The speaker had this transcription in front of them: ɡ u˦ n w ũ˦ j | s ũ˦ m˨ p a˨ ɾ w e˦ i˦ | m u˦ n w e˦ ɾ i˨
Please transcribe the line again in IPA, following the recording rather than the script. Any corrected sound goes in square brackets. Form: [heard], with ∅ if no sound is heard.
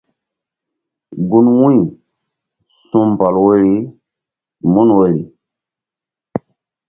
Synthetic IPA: ɡ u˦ n w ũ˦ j | s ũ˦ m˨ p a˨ [l] w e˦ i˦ | m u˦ n w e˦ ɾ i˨